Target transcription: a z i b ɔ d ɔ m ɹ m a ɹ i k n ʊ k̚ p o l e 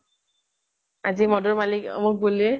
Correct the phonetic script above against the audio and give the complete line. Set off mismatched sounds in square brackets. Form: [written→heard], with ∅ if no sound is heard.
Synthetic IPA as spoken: a z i [b→m] ɔ d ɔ [m→∅] ɹ m a [ɹ→l] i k [n→m] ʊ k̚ [p→b] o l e

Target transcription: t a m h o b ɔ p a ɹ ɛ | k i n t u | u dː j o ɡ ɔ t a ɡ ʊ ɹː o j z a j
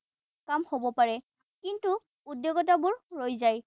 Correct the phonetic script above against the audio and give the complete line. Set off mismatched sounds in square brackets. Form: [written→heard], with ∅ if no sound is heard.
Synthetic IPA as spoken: [t→k] a m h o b ɔ p a ɹ ɛ | k i n t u | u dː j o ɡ ɔ t a [ɡ→b] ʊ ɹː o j z a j

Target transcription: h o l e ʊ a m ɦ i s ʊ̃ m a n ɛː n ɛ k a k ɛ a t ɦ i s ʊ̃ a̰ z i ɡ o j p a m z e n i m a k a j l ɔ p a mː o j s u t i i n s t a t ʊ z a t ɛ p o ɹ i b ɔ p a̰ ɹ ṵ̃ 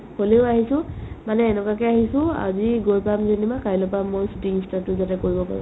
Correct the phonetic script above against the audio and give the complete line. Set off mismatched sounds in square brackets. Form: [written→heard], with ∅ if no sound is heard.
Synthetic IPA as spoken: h o l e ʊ a [m→∅] ɦ i s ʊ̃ m a n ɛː n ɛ k a k ɛ a [t→∅] ɦ i s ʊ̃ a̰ z i ɡ o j p a m z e n i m a k a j l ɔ p a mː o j s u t i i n s t a t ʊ z a t ɛ [p→k] o ɹ i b ɔ p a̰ ɹ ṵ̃

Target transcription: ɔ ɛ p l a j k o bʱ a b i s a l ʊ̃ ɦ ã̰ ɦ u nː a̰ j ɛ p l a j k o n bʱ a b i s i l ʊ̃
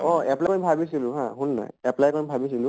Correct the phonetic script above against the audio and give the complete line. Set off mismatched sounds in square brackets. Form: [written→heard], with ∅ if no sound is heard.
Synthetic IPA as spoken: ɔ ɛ p l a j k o bʱ a b i s [a→i] l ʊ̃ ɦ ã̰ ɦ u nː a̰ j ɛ p l a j k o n bʱ a b i s i l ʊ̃

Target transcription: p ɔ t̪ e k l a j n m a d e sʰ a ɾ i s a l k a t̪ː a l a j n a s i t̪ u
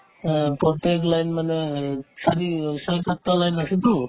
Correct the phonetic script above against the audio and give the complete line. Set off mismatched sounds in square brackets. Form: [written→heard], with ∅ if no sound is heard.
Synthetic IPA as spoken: p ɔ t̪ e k l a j n m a [d→n] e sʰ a ɾ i s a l k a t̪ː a l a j n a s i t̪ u

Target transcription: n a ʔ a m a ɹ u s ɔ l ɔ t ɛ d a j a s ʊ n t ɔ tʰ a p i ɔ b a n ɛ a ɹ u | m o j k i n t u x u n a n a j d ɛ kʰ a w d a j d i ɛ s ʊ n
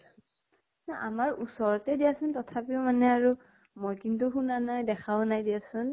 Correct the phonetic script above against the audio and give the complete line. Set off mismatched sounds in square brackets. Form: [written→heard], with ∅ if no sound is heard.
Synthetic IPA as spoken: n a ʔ a m a ɹ u s ɔ [l→ɹ] ɔ t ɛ d [a→i] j a s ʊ n t ɔ tʰ a p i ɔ [b→m] a n ɛ a ɹ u | m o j k i n t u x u n a n a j d ɛ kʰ a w [d→n] a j d i [ɛ→a] s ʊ n

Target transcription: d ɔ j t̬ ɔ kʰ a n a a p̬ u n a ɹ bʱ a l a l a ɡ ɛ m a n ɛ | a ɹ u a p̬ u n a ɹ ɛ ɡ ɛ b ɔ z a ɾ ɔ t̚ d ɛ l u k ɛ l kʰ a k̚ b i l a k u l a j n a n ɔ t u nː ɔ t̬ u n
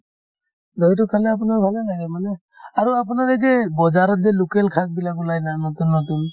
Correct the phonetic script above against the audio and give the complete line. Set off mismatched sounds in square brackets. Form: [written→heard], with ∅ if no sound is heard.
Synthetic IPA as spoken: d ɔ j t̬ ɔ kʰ a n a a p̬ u n a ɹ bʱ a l a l a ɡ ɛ m a n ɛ | a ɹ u a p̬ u n a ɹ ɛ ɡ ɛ b ɔ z a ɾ ɔ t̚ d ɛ l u k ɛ l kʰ a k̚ b i l a k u l a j n a n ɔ t u nː ɔ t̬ u n

